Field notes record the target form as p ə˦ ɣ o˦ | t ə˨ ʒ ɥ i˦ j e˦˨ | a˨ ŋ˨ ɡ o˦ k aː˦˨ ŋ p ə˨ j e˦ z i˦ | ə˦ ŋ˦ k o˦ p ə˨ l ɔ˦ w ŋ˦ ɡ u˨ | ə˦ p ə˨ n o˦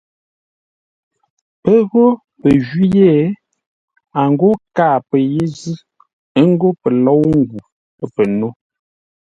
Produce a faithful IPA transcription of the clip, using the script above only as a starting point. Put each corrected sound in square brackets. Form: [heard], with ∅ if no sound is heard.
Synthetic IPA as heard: p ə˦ ɣ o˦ | [p] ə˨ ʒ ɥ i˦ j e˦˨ | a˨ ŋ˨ ɡ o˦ k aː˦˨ [∅] p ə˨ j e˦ z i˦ | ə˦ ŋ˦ [ɡ] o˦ p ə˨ l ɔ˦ w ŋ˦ ɡ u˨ | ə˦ p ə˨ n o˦

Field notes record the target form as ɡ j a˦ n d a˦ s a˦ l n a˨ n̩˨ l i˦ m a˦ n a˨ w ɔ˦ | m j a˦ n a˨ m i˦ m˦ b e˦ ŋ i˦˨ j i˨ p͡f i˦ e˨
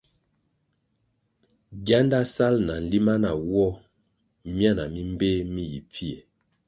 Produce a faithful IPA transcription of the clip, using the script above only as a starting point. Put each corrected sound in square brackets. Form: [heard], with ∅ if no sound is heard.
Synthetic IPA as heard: ɡ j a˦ n d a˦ s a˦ l n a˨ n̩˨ l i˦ m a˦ n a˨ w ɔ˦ | m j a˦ n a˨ m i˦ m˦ b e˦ [m] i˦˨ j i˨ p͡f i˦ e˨

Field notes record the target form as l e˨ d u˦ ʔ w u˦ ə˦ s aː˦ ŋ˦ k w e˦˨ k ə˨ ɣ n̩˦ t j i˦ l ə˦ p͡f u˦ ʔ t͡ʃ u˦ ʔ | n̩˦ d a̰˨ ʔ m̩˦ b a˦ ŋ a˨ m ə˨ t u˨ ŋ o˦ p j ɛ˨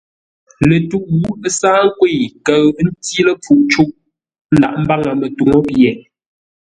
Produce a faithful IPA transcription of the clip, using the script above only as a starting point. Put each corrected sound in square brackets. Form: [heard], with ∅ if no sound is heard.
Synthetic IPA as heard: l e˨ [t] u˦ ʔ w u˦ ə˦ s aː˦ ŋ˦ k w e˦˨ k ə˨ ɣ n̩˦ t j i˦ l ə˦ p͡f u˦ ʔ t͡ʃ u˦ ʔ | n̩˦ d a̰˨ ʔ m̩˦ b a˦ ŋ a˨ m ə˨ t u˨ ŋ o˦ p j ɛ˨

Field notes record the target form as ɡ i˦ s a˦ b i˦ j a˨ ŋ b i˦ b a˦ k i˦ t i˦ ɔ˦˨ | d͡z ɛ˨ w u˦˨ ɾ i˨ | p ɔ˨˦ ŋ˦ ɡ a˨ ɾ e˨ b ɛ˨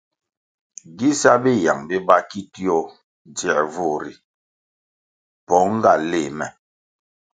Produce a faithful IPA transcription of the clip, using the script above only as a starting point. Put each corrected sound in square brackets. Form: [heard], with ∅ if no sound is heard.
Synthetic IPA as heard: ɡ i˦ s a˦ b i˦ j a˨ ŋ b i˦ b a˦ k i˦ t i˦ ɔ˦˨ | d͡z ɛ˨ [v] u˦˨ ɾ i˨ | p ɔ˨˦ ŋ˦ ɡ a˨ [l] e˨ [m] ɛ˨

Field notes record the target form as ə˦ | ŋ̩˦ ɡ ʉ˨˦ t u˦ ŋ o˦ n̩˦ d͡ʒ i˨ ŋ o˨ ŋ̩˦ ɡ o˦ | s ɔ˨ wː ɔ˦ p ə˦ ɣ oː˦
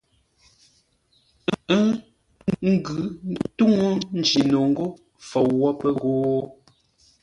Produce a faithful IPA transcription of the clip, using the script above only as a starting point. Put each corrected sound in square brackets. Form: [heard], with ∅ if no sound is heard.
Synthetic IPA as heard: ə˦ | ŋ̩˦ ɡ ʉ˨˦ t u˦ ŋ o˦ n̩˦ d͡ʒ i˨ [n] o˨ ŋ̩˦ ɡ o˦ | [f] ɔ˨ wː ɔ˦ p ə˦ ɣ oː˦

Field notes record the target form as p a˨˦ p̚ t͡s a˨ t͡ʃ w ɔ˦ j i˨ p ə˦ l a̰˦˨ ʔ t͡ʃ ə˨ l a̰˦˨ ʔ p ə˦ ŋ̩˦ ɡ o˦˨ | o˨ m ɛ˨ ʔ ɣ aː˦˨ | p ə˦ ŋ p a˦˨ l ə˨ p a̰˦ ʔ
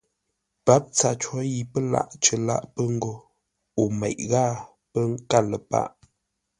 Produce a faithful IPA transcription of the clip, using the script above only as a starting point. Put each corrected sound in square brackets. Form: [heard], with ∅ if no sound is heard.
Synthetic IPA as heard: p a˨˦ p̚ t͡s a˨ t͡ʃ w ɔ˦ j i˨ p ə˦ l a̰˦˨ ʔ t͡ʃ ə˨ l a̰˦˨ ʔ p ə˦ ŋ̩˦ ɡ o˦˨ | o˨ m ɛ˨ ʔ ɣ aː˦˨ | p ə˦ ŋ [k] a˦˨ l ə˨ p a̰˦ ʔ

